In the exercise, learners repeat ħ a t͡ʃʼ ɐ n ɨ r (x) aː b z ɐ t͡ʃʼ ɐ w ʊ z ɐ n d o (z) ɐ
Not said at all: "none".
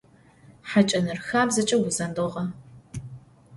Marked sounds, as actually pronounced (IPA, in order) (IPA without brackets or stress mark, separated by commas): x, ʁ